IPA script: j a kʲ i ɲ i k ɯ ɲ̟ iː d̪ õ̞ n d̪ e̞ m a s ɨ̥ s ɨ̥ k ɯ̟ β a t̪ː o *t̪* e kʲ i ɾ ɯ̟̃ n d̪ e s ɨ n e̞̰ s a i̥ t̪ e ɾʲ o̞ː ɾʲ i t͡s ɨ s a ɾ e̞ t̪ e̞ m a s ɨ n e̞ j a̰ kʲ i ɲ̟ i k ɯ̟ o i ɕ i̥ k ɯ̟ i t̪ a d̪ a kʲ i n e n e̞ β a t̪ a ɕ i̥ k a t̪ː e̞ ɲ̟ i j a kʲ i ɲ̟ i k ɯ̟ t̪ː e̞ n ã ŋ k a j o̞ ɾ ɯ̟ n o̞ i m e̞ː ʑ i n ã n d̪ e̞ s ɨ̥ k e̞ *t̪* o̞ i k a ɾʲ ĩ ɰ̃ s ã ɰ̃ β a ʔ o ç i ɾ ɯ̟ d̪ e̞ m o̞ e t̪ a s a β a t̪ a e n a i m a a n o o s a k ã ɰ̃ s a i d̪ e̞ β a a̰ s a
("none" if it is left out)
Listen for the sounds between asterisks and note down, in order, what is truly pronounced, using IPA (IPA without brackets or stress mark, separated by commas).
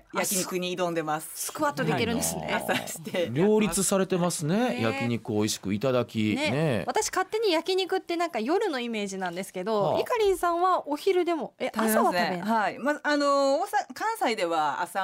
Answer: d̪, d̪